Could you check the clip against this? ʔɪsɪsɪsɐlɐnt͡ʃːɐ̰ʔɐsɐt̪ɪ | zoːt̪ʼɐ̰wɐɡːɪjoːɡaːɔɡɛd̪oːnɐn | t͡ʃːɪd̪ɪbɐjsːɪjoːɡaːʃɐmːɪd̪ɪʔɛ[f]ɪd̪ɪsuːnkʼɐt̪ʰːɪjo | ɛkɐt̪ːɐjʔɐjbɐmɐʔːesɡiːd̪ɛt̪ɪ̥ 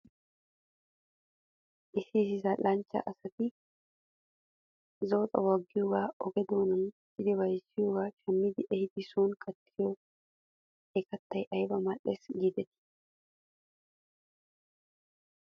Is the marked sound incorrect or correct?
incorrect